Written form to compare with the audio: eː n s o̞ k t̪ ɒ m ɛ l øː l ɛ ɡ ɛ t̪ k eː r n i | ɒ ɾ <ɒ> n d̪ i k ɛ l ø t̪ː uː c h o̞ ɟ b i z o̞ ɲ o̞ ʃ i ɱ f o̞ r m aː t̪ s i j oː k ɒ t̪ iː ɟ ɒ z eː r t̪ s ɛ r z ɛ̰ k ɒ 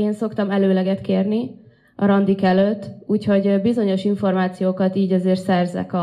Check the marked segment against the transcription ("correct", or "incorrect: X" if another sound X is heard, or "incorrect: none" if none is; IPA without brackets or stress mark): correct